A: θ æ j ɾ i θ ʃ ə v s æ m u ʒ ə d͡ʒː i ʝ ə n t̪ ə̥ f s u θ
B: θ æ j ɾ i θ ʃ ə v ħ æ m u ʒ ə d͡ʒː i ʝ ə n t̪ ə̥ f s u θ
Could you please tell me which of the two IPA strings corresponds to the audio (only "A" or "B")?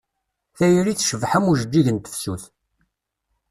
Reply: B